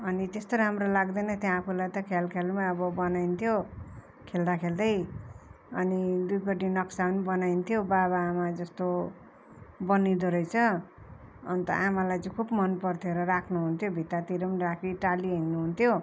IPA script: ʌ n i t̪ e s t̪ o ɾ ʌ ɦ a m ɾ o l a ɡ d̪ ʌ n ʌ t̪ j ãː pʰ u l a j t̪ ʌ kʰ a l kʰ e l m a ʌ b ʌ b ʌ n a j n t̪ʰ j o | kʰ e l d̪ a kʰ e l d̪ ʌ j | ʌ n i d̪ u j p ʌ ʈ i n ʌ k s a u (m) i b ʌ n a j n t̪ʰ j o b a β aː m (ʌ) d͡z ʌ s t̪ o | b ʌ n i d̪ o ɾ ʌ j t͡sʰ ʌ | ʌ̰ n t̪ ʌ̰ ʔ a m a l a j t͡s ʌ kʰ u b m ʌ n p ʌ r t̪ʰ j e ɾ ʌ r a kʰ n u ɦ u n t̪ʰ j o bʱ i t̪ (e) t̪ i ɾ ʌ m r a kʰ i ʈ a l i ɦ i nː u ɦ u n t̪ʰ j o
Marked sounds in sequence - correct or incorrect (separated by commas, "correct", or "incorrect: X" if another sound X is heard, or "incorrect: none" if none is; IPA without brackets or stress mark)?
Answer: incorrect: n, incorrect: a, incorrect: a